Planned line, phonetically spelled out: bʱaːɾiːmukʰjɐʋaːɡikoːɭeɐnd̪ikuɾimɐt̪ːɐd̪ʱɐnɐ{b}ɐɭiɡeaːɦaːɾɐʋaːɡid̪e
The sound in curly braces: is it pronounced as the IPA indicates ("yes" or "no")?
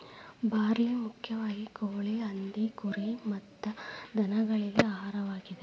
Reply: no